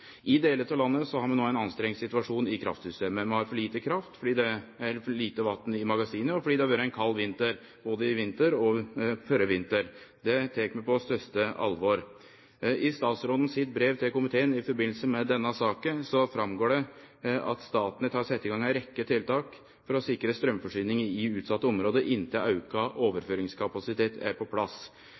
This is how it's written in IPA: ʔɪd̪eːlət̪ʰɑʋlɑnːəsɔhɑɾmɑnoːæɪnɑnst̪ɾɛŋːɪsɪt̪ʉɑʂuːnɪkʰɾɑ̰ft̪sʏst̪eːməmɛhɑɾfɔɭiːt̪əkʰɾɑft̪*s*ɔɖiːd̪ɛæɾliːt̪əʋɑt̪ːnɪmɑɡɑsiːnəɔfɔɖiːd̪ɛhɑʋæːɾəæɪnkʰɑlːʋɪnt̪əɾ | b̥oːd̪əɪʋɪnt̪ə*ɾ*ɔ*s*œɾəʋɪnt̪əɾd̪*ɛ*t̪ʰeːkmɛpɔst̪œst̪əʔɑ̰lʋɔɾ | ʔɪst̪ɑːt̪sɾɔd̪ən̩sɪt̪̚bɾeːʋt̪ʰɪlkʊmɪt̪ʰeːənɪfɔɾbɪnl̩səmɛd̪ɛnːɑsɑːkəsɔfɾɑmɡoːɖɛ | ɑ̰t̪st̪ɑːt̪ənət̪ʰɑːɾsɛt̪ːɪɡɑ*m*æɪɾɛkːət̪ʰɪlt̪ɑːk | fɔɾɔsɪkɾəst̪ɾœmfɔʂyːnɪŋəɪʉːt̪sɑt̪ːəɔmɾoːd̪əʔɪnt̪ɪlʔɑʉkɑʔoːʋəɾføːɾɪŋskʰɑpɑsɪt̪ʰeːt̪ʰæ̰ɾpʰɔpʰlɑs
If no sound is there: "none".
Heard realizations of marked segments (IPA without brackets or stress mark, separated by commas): f, ɾ, f, ɛ, ŋ